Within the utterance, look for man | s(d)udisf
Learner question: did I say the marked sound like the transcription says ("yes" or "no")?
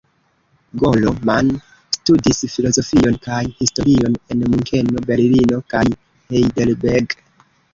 no